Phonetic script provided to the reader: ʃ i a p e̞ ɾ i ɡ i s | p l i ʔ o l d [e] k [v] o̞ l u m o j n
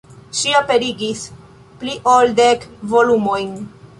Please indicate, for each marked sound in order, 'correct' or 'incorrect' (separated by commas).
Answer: correct, correct